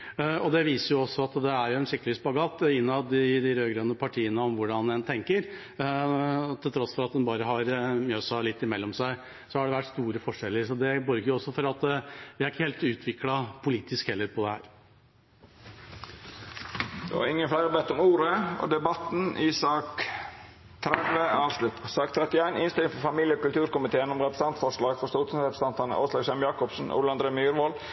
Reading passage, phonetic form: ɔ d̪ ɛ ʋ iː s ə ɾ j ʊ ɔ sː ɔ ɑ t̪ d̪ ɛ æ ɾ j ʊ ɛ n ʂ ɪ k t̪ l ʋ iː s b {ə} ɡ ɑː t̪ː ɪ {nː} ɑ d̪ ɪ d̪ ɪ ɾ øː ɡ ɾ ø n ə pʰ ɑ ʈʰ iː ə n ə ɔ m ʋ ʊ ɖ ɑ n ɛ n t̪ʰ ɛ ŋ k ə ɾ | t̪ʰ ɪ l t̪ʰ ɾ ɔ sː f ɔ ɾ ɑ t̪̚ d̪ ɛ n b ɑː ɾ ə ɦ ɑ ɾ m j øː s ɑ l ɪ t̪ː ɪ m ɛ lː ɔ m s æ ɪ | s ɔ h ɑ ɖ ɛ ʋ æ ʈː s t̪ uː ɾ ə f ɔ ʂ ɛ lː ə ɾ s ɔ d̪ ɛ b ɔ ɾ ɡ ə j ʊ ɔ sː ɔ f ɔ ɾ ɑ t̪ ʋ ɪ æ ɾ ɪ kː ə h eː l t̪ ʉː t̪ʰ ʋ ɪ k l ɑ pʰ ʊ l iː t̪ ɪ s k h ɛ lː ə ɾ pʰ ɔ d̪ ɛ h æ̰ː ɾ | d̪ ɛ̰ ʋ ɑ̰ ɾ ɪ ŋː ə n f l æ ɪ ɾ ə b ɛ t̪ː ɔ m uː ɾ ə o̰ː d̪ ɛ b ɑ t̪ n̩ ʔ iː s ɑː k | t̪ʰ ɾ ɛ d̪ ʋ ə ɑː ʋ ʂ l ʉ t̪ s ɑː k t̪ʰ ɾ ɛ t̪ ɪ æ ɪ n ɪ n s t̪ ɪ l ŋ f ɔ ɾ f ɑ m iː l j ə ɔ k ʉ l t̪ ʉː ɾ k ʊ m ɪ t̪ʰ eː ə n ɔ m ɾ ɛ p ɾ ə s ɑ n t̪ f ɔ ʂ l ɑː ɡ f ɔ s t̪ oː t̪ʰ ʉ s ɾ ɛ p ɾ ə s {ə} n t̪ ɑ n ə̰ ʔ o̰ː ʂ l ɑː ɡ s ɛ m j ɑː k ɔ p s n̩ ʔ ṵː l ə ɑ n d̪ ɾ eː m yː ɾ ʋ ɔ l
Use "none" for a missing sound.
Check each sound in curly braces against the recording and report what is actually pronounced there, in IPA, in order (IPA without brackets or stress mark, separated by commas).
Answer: ɑ, nː, ɑ